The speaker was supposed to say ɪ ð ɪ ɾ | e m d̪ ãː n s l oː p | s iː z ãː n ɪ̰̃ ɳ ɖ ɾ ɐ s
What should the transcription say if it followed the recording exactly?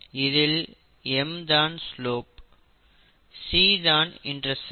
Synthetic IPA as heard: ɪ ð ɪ l | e m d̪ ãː n s l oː p | s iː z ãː n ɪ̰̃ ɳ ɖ ɾ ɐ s